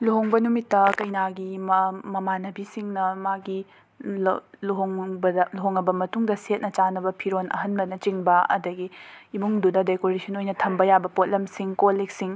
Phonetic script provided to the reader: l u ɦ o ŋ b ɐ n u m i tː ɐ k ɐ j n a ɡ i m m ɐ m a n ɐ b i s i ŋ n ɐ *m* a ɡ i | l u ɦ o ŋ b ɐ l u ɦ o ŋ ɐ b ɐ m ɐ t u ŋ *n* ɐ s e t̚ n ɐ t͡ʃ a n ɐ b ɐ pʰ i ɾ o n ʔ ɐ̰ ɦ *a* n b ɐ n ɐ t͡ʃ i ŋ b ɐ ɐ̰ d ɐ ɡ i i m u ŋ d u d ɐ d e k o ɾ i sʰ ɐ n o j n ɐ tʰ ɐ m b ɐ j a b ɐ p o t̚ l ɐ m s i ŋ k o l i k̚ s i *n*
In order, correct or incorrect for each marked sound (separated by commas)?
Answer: correct, incorrect, incorrect, incorrect